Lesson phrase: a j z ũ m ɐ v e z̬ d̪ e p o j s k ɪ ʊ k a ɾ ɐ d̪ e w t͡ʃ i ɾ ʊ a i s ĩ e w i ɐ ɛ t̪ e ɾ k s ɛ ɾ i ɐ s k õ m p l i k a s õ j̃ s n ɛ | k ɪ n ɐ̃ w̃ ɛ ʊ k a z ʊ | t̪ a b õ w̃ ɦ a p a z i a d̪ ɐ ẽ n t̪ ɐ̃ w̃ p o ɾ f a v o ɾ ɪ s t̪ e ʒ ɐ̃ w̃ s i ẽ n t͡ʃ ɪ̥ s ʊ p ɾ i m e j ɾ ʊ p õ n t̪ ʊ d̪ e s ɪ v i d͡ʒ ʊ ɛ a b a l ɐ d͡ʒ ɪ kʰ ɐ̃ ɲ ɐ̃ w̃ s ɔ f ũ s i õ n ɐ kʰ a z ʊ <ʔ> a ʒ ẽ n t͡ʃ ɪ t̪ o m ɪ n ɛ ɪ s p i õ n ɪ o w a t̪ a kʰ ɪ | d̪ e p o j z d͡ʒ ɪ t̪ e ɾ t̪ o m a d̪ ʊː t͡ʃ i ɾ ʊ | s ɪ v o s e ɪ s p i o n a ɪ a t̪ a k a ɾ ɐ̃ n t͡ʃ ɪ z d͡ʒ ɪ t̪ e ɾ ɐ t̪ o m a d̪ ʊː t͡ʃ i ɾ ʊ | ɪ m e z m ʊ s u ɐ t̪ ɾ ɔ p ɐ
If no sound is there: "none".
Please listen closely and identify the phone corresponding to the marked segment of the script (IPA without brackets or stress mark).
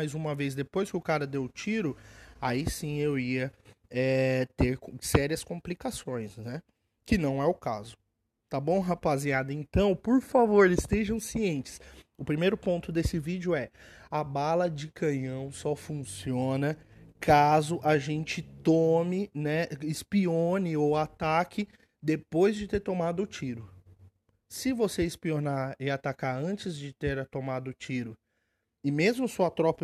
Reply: ʔ